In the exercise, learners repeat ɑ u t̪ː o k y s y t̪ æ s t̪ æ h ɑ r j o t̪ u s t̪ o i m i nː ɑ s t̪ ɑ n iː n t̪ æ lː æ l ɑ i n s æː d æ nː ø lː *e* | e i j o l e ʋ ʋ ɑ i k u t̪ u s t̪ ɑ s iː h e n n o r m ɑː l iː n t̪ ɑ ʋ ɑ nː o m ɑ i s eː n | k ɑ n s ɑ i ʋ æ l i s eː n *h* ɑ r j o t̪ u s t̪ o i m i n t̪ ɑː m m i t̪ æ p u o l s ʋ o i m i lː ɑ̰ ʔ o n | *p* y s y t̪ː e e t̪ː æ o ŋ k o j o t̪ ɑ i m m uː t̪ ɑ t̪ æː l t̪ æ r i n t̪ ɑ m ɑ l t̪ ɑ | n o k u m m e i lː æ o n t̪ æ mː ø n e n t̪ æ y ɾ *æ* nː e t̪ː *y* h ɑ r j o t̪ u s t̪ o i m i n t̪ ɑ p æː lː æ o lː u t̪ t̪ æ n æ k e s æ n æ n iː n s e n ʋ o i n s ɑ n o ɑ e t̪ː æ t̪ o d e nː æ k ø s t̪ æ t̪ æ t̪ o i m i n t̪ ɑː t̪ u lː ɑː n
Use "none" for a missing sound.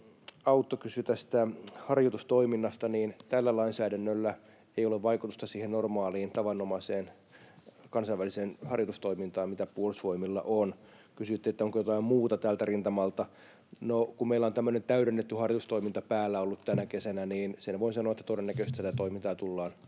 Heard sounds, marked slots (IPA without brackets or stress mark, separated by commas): æ, h, k, e, y